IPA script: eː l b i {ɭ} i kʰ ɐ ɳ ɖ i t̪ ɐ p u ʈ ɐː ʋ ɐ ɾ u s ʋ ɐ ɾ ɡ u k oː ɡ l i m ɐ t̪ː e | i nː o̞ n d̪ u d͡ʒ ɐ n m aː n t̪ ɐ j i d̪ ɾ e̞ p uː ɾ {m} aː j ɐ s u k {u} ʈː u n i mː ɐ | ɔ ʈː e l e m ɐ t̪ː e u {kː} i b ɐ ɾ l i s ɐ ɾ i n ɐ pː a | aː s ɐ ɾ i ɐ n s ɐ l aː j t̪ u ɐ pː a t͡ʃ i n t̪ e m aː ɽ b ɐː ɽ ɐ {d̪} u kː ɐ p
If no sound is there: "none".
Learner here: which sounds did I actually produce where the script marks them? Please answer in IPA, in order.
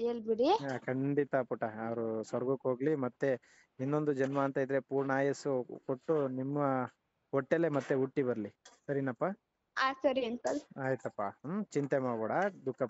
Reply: ɽ, ɳ, o, ʈː, d̪

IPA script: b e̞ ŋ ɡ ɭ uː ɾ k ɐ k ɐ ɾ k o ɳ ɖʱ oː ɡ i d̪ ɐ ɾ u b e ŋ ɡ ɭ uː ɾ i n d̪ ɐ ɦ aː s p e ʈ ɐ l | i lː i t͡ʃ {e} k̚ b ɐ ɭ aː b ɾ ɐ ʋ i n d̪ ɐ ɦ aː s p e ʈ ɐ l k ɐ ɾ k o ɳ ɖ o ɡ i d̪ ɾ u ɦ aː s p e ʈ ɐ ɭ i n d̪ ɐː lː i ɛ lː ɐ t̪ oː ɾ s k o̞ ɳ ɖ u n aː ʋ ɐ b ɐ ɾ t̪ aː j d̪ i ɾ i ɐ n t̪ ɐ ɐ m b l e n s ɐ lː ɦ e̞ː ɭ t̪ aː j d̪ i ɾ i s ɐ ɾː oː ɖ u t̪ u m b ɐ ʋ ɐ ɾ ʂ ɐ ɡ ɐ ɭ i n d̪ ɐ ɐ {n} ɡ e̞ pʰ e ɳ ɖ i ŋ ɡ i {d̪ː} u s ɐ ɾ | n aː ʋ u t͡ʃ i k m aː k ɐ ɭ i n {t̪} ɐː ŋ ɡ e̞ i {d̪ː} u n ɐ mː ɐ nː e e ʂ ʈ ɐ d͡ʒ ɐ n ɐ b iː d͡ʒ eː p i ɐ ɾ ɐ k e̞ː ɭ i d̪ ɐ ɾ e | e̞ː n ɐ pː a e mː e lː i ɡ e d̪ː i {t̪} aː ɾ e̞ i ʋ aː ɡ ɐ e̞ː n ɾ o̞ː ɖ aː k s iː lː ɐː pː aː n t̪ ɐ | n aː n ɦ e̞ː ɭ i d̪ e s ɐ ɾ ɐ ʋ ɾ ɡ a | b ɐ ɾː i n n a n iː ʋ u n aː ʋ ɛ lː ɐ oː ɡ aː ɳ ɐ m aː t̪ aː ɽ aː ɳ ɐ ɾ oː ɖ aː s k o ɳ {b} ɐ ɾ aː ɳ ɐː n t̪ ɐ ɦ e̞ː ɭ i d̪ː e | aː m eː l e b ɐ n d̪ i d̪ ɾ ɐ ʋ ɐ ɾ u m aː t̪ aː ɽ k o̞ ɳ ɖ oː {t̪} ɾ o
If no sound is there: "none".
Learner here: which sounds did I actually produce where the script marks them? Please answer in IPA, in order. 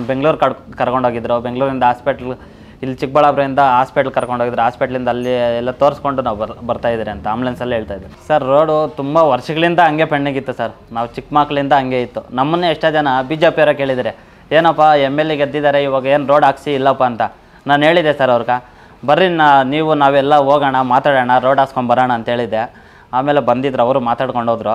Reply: i, ŋ, t̪ː, d̪, t̪ː, d̪, b, d̪

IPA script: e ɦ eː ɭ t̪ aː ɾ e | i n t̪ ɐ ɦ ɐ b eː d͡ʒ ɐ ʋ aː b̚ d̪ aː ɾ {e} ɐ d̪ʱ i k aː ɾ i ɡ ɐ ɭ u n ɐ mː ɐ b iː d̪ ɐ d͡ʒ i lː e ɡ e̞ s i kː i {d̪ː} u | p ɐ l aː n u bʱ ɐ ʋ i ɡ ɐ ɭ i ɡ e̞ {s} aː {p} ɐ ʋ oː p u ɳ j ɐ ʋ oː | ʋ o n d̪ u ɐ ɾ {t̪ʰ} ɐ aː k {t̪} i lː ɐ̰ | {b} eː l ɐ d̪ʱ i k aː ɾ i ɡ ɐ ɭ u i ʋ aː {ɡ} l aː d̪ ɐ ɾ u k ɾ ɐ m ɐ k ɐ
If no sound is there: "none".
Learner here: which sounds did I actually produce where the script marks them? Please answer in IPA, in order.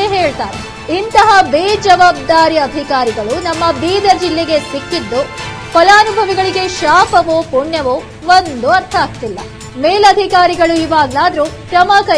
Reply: i, d̪ː, ʃ, p, t̪ʰ, t̪, m, ɡ

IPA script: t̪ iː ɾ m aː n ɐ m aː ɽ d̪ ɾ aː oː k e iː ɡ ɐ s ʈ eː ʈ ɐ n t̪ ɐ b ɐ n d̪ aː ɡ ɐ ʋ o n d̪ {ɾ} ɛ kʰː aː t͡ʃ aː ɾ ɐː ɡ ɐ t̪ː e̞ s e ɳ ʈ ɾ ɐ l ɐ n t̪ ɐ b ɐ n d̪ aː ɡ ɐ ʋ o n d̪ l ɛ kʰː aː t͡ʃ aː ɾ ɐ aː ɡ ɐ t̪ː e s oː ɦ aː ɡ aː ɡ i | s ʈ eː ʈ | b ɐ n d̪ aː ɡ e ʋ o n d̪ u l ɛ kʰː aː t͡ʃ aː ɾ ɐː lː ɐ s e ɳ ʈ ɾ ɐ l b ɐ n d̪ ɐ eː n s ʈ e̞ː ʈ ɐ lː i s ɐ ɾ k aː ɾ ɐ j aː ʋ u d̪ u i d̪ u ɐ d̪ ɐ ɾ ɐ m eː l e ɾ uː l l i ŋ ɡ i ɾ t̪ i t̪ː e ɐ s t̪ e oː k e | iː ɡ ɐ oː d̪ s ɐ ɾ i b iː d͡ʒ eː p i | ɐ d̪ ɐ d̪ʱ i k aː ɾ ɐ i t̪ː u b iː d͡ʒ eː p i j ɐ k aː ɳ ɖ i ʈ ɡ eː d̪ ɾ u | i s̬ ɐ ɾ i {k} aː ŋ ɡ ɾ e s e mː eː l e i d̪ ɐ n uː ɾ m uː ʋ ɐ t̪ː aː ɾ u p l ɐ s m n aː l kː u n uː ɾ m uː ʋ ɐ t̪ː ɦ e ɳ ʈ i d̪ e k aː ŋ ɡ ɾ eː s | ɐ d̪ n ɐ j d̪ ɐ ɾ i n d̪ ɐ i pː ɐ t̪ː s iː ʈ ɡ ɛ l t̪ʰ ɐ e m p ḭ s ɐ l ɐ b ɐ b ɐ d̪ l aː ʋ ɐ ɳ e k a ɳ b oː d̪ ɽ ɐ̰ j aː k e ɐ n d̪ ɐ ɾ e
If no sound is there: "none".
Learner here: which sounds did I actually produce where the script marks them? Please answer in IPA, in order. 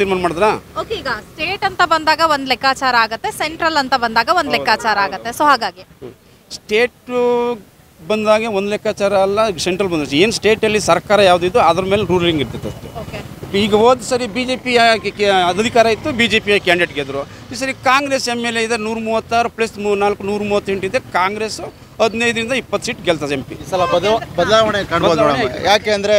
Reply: l, k

